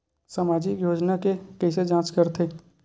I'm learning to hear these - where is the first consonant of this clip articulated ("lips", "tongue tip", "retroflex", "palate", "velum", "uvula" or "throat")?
tongue tip